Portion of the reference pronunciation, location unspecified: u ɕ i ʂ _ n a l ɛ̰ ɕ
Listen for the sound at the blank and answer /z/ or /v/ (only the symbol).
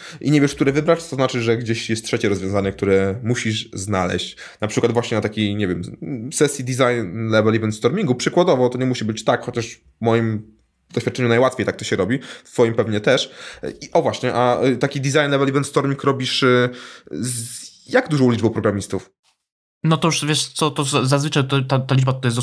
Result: z